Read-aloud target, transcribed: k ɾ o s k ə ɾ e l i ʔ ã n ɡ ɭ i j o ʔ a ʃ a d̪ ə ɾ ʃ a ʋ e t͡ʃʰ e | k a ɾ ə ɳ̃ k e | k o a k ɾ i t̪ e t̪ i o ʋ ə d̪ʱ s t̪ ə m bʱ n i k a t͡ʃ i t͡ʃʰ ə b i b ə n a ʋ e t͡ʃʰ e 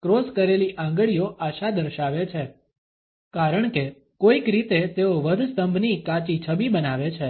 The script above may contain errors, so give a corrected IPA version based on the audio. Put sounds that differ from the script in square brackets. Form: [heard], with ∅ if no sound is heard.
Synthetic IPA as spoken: k ɾ o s k ə ɾ e l i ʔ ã [ŋ] ɡ ɭ i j o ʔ a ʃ a d̪ ə ɾ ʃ a ʋ e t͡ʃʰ e | k a ɾ ə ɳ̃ k e | k o [i] k ɾ i t̪ e t̪ [e] o ʋ ə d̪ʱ s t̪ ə m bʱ n i k a t͡ʃ i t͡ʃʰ ə b i b ə n a ʋ e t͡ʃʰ e